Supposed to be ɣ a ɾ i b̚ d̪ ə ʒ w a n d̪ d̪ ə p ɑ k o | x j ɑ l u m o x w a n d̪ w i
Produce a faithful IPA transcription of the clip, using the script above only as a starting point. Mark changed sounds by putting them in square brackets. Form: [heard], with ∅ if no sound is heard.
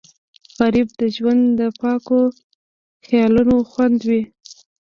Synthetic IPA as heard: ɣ a ɾ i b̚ d̪ ə ʒ w a n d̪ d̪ ə p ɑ k o | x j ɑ l u [n] o x w a n d̪ w i

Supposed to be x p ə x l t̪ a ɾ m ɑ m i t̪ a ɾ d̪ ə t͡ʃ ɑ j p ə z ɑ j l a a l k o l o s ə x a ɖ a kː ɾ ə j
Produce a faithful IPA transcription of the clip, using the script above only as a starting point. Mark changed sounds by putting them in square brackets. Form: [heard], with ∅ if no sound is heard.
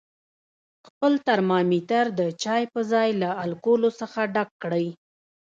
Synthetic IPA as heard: x p ə [∅] l t̪ a ɾ m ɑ m i t̪ a ɾ d̪ ə t͡ʃ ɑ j p ə z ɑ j l a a l k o l o s ə x a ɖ a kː [ɽ] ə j

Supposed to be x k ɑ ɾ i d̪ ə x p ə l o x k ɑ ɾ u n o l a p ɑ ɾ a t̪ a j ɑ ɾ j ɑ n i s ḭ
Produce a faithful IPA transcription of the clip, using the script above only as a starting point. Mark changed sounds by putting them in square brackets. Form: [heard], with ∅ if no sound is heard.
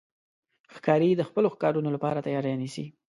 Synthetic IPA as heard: x k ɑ ɾ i d̪ ə x p ə l o x k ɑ ɾ u n o l a p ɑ ɾ a t̪ a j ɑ ɾ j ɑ n i s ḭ

